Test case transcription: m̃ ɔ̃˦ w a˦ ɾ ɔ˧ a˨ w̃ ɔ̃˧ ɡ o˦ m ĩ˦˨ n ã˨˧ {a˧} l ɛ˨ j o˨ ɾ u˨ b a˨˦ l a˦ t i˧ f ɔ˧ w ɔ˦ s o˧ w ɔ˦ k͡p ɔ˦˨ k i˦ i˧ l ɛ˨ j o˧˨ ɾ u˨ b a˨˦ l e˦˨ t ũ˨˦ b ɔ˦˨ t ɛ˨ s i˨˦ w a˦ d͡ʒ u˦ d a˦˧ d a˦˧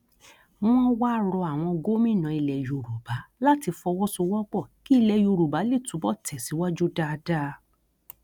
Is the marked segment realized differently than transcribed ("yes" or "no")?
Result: yes